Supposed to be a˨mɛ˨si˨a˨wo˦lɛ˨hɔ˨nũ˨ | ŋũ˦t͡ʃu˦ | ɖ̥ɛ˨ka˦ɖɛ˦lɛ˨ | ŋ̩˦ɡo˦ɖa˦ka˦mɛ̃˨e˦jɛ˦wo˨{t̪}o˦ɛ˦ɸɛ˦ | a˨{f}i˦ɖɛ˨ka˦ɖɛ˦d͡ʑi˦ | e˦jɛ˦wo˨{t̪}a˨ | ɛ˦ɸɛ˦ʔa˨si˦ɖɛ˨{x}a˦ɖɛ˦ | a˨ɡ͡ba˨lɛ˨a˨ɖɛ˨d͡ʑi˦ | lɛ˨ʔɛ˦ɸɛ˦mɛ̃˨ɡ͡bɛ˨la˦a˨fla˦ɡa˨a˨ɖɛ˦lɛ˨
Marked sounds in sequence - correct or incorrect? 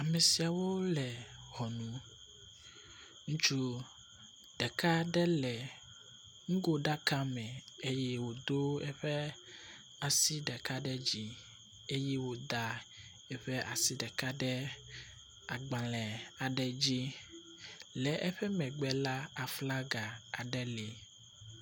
incorrect, incorrect, incorrect, incorrect

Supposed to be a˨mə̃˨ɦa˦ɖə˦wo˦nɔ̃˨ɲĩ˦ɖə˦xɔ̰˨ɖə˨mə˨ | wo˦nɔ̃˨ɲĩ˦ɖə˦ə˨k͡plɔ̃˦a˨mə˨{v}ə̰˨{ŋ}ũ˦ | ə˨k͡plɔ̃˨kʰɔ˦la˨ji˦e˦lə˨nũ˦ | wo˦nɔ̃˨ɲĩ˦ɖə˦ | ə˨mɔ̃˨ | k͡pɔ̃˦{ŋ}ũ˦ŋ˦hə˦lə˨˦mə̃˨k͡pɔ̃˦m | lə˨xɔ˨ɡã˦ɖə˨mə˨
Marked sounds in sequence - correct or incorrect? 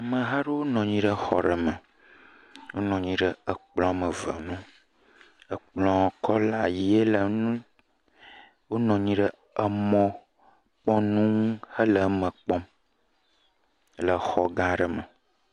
correct, incorrect, incorrect

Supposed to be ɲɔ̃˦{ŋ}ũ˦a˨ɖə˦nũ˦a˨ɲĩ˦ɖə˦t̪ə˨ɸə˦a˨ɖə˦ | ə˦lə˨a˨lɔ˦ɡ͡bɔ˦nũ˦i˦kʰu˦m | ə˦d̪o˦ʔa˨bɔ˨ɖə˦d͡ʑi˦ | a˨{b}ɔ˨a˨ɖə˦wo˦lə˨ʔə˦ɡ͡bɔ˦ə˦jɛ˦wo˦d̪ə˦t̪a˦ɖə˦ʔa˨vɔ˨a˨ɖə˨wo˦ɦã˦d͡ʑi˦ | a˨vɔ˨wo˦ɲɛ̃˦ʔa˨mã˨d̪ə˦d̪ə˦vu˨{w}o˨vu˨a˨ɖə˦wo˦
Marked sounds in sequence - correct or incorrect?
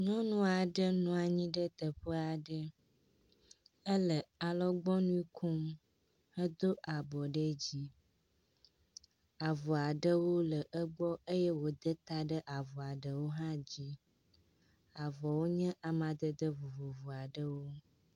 incorrect, incorrect, incorrect

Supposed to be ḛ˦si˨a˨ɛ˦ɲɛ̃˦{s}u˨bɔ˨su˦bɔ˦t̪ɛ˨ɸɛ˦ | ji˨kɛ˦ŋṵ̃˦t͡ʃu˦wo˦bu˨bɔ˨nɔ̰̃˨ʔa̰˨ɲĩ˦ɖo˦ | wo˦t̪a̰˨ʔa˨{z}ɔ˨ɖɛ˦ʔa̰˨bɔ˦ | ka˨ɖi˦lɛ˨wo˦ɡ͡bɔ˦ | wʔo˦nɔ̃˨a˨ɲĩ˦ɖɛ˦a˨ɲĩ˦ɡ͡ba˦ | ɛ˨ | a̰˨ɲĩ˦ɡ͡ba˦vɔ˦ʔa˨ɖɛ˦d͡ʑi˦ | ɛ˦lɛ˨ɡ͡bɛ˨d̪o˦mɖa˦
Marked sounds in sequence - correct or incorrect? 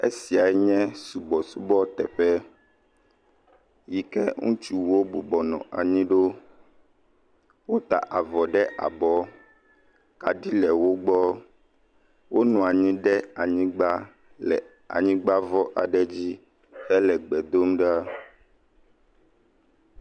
correct, incorrect

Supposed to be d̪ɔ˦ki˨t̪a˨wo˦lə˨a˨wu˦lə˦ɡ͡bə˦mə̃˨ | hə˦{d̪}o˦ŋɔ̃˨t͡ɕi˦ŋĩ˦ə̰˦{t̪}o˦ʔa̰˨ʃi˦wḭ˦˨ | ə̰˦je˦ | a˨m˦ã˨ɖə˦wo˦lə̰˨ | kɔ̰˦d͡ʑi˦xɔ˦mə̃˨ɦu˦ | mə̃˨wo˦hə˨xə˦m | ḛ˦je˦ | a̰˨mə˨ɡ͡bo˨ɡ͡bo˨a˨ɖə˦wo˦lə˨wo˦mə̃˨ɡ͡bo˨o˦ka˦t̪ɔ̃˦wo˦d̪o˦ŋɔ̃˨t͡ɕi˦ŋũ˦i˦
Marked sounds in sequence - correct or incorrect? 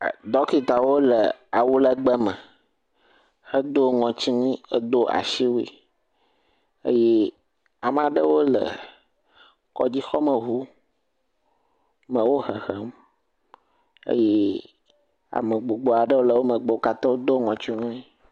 correct, incorrect

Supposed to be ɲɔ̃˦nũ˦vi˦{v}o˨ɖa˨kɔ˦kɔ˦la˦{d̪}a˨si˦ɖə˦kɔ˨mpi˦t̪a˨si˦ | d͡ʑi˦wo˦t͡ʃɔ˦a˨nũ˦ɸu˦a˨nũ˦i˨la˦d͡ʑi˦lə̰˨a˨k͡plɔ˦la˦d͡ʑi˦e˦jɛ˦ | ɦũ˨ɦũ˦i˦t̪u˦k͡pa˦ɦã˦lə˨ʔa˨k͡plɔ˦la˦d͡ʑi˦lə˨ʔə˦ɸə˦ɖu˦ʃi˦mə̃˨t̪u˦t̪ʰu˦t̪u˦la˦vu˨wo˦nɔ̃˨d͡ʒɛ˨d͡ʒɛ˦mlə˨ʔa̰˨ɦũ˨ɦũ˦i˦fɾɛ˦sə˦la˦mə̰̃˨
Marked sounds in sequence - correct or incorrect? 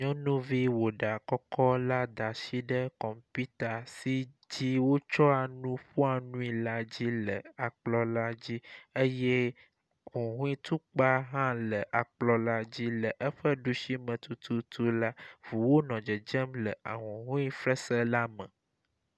incorrect, correct

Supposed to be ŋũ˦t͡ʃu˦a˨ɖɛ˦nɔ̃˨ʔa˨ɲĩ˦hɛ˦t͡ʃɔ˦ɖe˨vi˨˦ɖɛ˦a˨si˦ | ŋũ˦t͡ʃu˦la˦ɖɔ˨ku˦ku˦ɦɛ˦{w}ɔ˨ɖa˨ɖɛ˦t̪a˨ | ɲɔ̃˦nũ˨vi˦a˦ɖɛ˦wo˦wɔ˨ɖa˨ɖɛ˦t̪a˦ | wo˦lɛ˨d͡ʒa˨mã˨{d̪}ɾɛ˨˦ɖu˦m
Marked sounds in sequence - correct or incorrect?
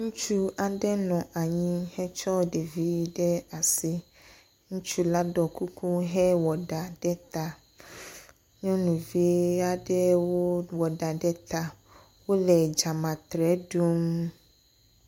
correct, incorrect

